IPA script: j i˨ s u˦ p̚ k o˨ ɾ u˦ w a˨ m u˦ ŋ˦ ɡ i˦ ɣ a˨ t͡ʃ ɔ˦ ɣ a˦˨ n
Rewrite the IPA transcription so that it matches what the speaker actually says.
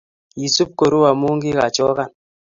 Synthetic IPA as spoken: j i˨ s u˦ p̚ k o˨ ɾ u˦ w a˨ m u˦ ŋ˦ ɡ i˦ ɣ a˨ t͡ʃ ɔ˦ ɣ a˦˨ n

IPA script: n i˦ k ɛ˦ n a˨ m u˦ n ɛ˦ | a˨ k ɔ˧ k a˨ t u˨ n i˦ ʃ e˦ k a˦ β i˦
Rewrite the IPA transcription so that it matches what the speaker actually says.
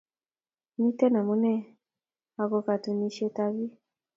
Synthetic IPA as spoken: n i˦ t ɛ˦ n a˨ m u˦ n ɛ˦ | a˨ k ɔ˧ k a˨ t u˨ n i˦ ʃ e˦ t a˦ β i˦

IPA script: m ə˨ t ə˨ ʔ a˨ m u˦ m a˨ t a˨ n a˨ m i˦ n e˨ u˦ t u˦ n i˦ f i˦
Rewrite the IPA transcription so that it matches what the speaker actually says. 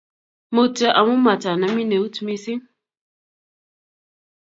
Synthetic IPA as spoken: m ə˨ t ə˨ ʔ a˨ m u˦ m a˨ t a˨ n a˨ m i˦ n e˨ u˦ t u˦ m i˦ s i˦

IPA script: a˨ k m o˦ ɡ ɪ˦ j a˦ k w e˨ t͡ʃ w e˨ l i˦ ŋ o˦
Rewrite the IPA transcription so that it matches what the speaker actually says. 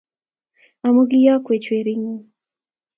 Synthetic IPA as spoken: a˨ m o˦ ɡ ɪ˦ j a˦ k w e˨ t͡ʃ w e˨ ɾ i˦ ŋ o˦

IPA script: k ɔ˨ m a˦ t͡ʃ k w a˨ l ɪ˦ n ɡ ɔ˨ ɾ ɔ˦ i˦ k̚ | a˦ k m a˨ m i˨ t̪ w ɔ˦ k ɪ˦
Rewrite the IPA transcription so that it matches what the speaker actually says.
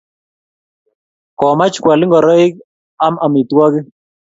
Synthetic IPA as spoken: k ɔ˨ m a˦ t͡ʃ k w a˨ l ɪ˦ ŋ ɡ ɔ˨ ɾ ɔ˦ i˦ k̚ | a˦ m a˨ m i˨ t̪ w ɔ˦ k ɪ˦

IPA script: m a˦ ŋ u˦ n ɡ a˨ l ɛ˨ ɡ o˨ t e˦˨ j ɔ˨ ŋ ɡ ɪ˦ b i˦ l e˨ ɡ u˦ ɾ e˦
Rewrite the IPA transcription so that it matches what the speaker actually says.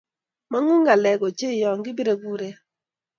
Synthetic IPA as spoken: m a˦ ŋ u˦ ŋ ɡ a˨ l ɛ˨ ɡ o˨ t͡ʃ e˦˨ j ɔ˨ ŋ ɡ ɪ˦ b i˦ ɾ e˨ ɡ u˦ ɾ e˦

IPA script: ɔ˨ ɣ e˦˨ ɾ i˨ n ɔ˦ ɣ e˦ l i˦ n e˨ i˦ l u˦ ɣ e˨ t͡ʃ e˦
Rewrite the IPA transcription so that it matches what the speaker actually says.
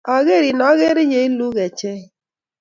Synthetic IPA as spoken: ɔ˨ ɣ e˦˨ ɾ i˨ n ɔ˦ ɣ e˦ ɾ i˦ ɲ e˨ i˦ l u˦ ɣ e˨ t͡ʃ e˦

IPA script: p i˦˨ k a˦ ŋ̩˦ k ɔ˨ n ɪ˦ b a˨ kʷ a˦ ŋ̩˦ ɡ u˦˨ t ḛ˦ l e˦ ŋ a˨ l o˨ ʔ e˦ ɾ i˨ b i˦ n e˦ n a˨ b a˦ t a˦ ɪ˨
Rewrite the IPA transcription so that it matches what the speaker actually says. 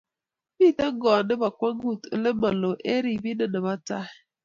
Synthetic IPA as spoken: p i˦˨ t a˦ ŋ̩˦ ɡ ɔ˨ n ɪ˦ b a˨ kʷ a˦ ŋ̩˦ ɡ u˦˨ t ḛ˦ l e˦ m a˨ l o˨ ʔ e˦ ɾ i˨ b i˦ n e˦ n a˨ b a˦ t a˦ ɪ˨

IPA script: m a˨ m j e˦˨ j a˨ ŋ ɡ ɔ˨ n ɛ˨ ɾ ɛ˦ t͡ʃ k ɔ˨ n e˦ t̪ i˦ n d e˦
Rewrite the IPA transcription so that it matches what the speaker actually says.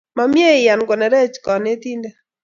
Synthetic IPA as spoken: m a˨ m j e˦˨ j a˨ n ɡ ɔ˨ n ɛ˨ ɾ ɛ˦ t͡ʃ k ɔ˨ n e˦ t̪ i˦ n d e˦

